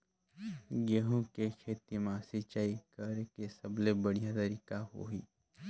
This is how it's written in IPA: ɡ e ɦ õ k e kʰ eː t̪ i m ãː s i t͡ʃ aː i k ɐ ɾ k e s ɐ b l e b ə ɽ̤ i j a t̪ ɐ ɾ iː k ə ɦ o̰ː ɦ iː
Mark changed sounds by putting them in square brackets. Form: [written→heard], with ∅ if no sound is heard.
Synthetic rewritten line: ɡ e ɦ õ k e kʰ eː t̪ i m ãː s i t͡ʃ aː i k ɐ ɾ k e s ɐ b l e b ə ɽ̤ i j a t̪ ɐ ɾ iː k [ə→a] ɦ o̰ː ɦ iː